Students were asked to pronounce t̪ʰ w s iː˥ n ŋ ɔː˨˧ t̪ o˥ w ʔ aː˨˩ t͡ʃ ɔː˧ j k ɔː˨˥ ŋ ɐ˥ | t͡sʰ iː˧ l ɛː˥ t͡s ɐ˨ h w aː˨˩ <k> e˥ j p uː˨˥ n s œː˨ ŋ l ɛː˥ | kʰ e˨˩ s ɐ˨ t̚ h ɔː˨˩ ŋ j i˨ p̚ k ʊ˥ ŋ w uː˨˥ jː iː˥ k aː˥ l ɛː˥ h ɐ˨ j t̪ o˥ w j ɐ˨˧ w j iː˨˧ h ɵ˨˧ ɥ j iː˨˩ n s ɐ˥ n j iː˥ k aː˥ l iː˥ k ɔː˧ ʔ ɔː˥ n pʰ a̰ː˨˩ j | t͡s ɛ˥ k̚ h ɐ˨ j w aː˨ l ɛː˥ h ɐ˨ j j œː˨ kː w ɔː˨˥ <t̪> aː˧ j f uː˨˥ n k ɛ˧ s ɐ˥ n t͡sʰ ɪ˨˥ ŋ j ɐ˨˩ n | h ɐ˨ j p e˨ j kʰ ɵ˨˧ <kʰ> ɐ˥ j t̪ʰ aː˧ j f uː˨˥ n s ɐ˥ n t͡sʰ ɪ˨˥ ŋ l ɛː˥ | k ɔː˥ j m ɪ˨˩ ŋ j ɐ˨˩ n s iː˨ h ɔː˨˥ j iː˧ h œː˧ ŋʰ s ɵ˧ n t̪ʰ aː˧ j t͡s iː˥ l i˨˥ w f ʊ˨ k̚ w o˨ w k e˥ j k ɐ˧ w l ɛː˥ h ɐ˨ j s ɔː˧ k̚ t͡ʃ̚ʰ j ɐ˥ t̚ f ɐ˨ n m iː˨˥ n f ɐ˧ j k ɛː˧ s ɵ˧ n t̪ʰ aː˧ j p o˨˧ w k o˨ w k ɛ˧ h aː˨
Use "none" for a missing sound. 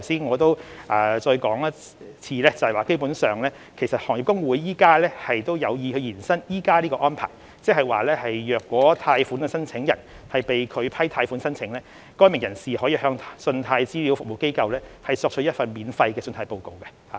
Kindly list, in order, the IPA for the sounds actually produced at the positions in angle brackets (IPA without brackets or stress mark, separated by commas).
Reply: k, t̪ʰ, pʰ